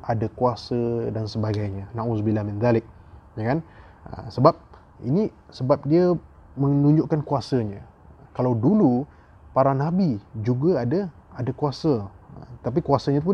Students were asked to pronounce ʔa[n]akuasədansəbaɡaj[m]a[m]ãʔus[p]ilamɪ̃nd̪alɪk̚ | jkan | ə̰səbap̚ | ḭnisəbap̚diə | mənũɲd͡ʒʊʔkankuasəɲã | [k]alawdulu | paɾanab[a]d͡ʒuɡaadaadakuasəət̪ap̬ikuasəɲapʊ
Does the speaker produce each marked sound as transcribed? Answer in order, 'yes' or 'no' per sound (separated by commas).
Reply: no, no, no, no, yes, no